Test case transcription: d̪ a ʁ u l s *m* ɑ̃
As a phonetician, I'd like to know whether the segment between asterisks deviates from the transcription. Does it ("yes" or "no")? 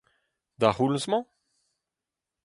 no